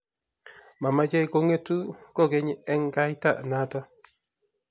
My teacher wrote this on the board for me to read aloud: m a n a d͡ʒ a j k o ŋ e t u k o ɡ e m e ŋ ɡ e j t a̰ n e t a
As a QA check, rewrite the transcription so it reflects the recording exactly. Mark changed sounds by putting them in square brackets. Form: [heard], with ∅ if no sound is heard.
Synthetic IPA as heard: m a [m] a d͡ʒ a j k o ŋ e t u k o ɡ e [ɲ] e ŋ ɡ [a] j t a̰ n [a] t a